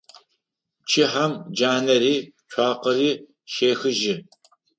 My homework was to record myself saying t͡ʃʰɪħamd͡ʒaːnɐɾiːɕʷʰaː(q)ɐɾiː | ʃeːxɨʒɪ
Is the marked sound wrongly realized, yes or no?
no